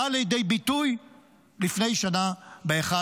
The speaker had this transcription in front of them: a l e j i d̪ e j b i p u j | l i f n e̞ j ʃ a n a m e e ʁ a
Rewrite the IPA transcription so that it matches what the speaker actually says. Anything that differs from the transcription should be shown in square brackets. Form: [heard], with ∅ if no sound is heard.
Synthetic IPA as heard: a l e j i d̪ e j b i [t] u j | l i f n e̞ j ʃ a n a [b] e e [χ] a